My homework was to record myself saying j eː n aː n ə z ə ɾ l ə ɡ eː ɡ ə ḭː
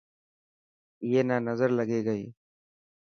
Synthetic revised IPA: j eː n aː n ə z ə ɾ l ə ɡ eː ɡ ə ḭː